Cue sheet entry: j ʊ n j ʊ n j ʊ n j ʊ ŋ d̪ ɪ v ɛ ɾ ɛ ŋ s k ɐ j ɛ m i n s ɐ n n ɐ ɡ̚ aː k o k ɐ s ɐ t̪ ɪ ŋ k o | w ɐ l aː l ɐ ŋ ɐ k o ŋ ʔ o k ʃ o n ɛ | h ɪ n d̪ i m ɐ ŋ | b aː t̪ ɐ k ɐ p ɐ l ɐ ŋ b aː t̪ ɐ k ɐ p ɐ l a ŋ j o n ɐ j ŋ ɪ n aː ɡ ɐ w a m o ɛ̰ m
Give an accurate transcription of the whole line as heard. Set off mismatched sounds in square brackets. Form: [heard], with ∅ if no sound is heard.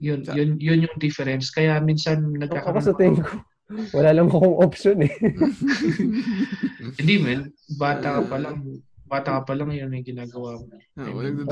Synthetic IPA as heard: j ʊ n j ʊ n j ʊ n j ʊ ŋ d̪ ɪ [f] ɛ ɾ ɛ [n] s k ɐ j [a] m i n s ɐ n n ɐ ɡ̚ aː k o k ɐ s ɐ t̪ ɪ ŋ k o | w ɐ l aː l ɐ ŋ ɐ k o ŋ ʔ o [p] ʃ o n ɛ | h ɪ n d̪ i m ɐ [n] | b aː t̪ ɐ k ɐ p ɐ l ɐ ŋ b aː t̪ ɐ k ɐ p ɐ l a ŋ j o n ɐ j [ɡ] ɪ n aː ɡ ɐ w a m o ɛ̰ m